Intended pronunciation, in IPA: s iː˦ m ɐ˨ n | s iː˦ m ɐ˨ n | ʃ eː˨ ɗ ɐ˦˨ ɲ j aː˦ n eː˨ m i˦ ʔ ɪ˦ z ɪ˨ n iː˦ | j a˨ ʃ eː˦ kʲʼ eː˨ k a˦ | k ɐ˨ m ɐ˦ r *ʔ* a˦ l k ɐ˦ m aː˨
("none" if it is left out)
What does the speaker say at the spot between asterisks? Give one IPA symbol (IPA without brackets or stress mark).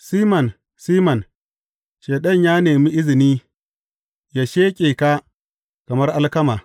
ʔ